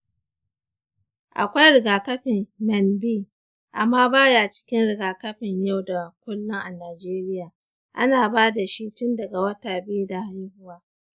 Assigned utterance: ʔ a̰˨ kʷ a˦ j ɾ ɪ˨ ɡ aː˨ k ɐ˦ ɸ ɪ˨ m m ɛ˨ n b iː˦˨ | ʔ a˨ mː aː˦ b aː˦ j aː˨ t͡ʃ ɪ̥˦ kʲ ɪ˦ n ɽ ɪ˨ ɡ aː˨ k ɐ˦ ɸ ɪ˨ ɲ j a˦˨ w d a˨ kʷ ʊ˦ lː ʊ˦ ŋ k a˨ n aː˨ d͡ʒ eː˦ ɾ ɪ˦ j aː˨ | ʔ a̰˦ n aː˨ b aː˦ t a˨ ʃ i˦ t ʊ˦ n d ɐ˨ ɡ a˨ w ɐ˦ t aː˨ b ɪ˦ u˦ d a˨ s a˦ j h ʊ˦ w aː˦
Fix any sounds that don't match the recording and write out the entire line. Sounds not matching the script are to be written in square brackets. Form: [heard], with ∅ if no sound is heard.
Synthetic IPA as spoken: ʔ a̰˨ kʷ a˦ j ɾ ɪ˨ ɡ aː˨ k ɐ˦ ɸ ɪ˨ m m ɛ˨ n b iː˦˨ | ʔ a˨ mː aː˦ b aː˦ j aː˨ t͡ʃ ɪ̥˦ kʲ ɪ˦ n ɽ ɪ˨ ɡ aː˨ k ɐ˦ ɸ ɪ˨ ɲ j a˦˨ w d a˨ kʷ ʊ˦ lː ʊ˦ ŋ [ʔ] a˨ n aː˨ d͡ʒ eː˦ ɾ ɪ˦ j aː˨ | ʔ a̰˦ n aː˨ b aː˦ [d] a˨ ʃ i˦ t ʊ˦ n d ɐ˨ ɡ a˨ w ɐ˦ t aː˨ b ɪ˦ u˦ d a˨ [h] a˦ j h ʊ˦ w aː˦